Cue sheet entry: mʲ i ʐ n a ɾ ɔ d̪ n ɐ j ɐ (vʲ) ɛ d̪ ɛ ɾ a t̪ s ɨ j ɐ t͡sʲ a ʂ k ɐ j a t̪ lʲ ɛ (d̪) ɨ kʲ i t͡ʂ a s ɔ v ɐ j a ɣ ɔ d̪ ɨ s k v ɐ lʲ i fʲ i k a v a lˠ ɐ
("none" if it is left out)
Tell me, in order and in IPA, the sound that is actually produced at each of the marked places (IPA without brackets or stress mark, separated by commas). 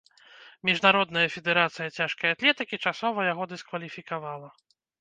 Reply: fʲ, t̪